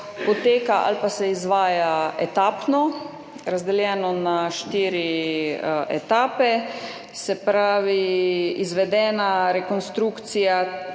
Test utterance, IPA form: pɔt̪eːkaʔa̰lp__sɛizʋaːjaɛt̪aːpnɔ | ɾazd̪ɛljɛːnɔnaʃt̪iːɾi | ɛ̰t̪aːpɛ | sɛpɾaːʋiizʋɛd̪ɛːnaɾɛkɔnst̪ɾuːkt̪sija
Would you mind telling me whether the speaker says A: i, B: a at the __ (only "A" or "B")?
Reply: B